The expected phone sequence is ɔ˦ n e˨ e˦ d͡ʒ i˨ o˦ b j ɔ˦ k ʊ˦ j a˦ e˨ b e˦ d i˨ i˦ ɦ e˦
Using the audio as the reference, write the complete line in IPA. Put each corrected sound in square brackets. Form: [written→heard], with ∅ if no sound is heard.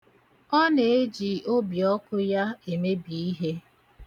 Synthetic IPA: ɔ˦ n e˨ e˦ d͡ʒ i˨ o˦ b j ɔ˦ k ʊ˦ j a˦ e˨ [b→m] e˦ [d→b] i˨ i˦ ɦ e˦